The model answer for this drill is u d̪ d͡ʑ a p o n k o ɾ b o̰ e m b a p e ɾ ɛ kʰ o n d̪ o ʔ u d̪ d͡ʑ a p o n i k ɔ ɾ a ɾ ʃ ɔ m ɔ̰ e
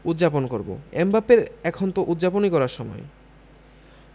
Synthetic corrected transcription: u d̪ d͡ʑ a p o n k o ɾ b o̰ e m b a p e ɾ ɛ kʰ o n t̪ o ʔ u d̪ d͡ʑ a p o n i k ɔ ɾ a ɾ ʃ ɔ m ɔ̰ e